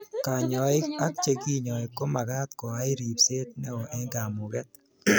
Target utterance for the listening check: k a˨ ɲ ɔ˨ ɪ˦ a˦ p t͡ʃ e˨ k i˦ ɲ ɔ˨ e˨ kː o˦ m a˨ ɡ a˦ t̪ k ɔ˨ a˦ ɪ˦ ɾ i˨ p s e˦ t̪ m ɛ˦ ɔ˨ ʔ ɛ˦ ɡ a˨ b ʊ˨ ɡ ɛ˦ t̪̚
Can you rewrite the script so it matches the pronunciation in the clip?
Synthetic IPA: k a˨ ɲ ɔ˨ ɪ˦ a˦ k t͡ʃ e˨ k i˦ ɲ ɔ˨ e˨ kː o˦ m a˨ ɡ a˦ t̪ k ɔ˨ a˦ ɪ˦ ɾ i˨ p s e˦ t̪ n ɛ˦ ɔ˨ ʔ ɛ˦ ɡ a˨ m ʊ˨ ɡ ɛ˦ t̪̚